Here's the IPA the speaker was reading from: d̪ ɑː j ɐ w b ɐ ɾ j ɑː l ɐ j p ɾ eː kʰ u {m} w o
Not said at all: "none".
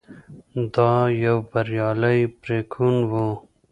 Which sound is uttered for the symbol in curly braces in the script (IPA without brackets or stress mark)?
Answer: n